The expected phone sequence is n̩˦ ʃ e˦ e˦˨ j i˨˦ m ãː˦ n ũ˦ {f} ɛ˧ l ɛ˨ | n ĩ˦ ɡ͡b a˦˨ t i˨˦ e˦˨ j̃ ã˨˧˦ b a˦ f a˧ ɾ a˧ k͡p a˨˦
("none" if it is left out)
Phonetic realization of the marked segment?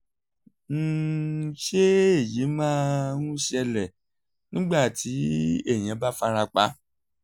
ʃ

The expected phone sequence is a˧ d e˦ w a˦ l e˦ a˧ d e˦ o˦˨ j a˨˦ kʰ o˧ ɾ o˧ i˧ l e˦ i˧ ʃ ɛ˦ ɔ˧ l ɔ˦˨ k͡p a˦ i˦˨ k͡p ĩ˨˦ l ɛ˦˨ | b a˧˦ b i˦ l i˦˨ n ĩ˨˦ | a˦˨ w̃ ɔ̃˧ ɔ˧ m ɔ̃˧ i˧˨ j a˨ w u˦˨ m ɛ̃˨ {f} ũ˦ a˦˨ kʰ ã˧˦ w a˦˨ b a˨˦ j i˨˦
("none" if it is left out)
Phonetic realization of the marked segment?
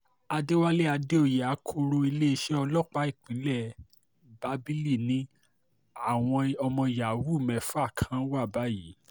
f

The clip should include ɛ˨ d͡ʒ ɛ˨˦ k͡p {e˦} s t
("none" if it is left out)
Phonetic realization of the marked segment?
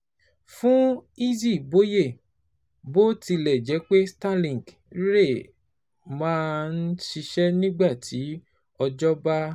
e˦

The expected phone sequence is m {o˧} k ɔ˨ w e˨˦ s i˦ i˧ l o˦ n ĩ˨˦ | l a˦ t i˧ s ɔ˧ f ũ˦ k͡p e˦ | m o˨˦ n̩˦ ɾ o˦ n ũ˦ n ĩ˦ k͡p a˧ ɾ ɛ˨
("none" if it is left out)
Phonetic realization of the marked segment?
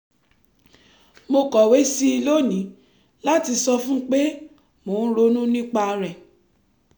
o˧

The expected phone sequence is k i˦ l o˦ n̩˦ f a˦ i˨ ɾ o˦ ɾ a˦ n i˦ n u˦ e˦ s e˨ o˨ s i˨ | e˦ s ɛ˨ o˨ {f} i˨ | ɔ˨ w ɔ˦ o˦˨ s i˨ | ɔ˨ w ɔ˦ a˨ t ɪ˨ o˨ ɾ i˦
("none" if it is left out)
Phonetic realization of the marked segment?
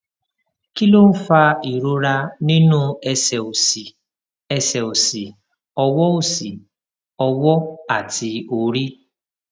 s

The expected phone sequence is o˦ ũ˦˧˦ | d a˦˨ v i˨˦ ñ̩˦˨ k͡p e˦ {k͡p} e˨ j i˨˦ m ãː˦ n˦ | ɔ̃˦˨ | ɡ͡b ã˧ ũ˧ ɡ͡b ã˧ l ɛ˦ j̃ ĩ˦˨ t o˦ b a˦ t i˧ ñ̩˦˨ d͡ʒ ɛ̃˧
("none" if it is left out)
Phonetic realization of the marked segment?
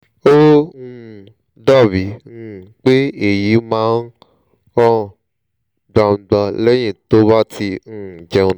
none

